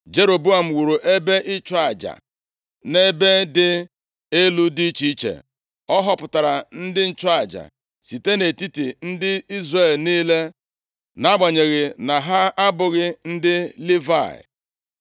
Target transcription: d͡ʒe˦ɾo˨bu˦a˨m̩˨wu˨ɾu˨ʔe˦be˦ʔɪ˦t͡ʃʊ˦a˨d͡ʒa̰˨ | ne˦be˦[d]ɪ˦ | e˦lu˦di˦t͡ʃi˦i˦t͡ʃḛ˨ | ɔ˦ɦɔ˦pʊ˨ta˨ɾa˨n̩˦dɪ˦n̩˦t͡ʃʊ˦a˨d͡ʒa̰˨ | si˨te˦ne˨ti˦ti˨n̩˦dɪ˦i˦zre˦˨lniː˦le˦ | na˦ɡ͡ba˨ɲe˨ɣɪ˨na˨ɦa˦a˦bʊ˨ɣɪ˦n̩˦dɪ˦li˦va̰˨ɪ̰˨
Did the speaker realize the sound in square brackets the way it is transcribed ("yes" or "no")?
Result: yes